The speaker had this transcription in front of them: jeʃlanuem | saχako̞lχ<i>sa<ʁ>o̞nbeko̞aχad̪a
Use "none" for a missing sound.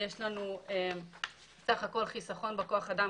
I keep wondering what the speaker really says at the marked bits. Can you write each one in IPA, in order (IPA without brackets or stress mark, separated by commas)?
i, χ